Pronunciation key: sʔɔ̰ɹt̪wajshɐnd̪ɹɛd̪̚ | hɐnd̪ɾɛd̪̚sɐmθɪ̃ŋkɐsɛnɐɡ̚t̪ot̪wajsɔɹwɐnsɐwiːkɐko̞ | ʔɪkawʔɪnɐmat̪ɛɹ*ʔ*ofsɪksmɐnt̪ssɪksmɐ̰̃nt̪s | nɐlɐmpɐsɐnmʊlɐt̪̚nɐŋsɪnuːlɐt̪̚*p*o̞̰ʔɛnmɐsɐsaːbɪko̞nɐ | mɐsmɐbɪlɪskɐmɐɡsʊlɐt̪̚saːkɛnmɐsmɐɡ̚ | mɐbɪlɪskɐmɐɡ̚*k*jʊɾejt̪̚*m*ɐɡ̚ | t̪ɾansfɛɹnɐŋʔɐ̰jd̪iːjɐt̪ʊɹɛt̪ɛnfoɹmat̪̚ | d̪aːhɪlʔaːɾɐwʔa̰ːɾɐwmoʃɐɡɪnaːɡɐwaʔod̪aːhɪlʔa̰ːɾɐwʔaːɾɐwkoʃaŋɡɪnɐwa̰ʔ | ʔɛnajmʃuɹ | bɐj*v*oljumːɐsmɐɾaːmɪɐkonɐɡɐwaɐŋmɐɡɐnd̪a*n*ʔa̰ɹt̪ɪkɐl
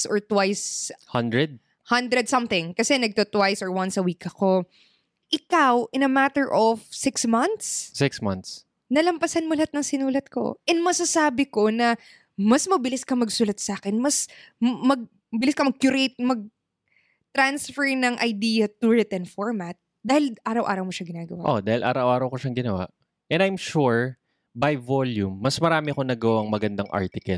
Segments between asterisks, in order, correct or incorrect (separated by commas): correct, incorrect, correct, correct, correct, incorrect